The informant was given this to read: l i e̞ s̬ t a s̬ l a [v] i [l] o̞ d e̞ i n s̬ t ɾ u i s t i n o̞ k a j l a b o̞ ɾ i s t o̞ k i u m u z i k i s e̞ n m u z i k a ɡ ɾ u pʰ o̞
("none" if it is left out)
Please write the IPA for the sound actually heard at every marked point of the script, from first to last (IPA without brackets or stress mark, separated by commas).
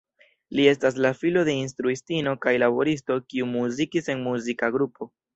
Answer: f, l